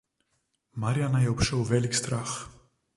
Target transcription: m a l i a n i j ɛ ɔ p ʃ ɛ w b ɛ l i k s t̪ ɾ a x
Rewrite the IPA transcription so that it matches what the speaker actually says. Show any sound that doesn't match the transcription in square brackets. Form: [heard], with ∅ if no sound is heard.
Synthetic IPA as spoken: m a [ɾ] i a n [a] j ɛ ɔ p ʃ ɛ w [v] ɛ l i k s t̪ ɾ a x